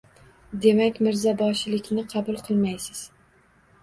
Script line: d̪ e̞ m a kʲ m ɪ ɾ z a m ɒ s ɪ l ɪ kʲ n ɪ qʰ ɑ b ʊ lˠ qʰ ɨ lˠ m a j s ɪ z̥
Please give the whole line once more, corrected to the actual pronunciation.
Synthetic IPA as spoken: d̪ e̞ m a kʲ m ɪ ɾ z a b ɒ ʃ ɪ l ɪ kʲ n ɪ qʰ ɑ b ʊ lˠ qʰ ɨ lˠ m a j s ɪ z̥

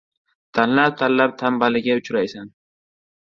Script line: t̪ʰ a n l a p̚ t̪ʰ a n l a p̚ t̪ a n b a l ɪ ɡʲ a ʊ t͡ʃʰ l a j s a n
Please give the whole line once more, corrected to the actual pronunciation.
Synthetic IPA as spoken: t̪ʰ a n l a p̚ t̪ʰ a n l a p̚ t̪ʰ a m b a l ɪ ɡʲ a ʊ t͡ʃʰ ɾ a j s a n

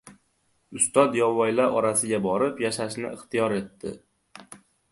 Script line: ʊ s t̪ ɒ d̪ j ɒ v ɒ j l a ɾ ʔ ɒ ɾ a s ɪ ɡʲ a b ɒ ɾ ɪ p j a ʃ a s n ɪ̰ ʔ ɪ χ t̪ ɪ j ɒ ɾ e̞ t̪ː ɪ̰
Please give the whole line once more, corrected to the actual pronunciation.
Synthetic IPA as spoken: ʊ s t̪ ɒ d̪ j ɒ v ɒ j l a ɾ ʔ ɒ ɾ a s ɪ ɡʲ a b ɒ ɾ ɪ p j a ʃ a ʃ n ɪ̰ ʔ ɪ χ t̪ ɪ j ɒ ɾ e̞ t̪ː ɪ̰

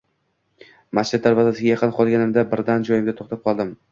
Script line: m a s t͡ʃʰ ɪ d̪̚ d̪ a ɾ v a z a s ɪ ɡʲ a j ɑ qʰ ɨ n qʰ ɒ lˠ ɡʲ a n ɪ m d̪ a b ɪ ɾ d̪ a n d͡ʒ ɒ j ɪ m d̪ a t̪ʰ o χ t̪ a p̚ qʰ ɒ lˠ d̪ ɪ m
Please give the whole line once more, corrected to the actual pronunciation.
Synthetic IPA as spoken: m a s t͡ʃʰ ɪ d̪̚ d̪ a ɾ v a z a s ɪ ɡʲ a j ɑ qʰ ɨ n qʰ ɒ lˠ ɡʲ a n ɪ m d̪ a b ɪ ɾ d̪ a n d͡ʒ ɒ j ɪ m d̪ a t̪ʰ o χ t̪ a p̚ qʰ ɒ lˠ d̪ ɪ m

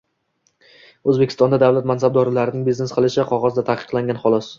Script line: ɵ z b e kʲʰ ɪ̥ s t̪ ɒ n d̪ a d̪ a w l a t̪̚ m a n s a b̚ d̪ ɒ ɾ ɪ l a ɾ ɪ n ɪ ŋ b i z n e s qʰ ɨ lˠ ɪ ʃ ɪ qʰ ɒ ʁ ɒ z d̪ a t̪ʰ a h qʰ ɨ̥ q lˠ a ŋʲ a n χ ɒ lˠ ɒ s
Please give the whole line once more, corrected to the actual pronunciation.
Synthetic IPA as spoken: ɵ z b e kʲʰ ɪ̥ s t̪ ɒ n d̪ a d̪ a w l a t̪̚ m a n s a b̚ d̪ ɒ ɾ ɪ l a ɾ ɪ n ɪ ŋ b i z n e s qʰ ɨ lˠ ɪ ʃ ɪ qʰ ɒ ʁ ɒ z d̪ a t̪ʰ a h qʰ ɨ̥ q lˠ a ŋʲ a n χ ɒ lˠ ɒ s

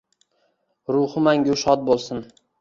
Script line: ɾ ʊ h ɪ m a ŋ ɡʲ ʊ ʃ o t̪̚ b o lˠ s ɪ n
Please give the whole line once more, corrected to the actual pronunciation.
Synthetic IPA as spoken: ɾ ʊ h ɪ m a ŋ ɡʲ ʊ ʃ ɒ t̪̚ b o lˠ s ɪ n

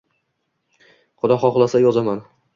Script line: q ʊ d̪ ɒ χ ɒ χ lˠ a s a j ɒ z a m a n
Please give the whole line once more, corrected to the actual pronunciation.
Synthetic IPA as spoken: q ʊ d̪ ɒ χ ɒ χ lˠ a s a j ɒ z a m a n

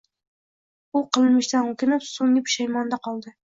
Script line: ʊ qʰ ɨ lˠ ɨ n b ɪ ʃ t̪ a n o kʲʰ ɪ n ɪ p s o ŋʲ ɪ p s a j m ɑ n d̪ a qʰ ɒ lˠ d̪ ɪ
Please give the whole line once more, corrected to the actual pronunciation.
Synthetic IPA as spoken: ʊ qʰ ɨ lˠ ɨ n m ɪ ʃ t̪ a n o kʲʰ ɪ n ɪ p s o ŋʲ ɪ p ʃ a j m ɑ n d̪ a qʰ ɒ lˠ d̪ ɪ

